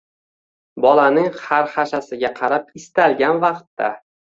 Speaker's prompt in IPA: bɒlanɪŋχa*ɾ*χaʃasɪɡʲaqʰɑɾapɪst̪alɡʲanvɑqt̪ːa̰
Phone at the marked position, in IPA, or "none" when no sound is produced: ɾ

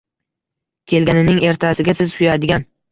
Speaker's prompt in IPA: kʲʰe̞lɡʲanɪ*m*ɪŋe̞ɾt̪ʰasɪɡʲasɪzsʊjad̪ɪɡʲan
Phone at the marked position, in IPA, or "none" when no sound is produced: n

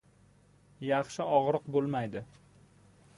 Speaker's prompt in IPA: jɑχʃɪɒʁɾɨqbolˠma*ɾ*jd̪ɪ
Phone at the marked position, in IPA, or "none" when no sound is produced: none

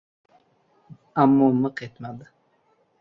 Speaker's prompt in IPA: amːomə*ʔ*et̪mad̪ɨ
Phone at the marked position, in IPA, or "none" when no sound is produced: q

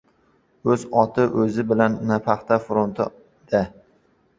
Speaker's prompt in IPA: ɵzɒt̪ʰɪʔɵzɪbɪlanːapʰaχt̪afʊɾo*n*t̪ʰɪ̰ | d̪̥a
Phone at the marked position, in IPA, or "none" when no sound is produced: n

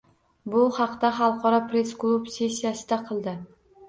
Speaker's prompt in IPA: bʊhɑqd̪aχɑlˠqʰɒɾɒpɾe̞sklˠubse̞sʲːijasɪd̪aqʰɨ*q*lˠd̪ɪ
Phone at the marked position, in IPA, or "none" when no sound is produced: none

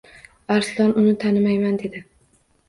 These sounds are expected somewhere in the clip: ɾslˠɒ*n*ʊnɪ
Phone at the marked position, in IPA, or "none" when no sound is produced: n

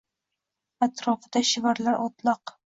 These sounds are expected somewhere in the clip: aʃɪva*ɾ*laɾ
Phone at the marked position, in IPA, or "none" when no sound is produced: ɾ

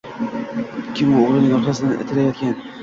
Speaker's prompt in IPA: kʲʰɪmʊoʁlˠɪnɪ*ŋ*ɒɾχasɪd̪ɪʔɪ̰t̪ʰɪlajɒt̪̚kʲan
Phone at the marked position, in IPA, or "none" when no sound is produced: ŋ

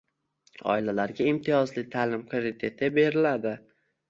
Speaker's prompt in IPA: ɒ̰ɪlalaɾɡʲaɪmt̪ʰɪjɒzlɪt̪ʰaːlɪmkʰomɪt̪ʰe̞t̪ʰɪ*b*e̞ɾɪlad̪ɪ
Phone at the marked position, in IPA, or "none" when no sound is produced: b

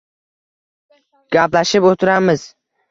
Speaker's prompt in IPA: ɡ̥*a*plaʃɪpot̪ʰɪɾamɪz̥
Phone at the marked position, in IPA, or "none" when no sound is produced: a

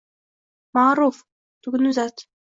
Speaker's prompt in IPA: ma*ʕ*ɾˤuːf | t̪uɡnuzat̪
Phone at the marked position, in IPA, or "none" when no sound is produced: ʕ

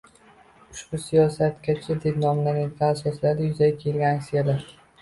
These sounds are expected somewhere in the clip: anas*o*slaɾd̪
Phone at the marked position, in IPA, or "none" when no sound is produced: ɒ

